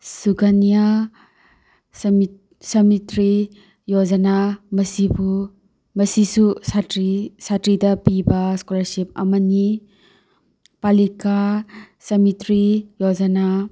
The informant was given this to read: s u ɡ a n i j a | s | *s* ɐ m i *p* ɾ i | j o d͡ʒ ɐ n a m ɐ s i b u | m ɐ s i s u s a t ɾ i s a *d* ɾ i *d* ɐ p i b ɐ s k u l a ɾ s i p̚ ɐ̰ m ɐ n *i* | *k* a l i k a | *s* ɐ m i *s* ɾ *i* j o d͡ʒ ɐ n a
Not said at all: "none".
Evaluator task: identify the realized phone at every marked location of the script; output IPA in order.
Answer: s, t, t, d, i, p, s, t, i

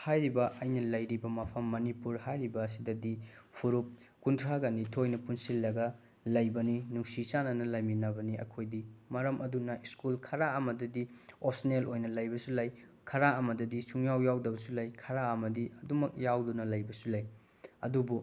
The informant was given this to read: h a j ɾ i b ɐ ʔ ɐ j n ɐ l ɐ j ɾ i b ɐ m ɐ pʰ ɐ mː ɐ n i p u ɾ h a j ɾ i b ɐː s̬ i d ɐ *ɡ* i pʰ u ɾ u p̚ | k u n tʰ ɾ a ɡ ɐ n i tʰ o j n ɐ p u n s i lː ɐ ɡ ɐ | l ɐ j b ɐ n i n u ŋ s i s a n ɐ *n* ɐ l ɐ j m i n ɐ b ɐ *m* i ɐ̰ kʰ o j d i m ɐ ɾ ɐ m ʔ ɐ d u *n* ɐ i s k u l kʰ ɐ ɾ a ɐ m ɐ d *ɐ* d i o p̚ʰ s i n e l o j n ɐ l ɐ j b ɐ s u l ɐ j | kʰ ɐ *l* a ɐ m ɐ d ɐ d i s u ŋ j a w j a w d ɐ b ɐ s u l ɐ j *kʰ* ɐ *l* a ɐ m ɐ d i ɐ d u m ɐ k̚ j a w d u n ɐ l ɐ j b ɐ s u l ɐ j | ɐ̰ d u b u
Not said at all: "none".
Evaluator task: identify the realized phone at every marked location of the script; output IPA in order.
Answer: d, n, n, n, ɐ, ɾ, kʰ, ɾ

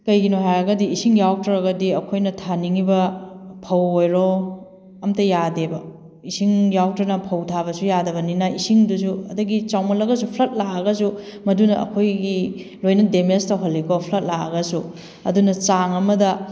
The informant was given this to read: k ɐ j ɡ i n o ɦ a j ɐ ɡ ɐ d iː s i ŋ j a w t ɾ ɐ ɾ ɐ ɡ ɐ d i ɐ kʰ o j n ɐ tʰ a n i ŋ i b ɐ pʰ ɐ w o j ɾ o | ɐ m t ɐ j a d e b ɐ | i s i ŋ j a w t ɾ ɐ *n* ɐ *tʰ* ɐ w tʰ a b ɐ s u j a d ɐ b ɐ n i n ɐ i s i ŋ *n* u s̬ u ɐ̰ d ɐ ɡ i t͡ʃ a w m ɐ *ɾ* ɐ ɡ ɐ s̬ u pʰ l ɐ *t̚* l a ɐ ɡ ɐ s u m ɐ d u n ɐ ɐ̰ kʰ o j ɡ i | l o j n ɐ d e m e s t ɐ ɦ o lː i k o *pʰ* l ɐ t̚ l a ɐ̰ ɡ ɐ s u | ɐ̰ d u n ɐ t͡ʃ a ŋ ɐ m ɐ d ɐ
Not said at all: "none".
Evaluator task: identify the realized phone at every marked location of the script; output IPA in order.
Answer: n, pʰ, d, l, t̚, pʰ

